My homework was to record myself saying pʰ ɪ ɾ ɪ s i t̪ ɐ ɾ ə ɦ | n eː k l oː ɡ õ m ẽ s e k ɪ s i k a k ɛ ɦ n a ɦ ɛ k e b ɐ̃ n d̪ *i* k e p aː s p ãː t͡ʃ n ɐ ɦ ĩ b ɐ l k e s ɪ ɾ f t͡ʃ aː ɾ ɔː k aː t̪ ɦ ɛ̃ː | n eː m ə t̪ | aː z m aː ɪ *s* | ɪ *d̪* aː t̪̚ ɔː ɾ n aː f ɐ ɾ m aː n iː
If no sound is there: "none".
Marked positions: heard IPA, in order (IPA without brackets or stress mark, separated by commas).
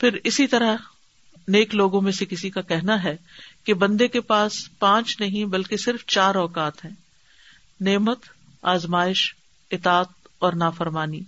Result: e, ʃ, t̪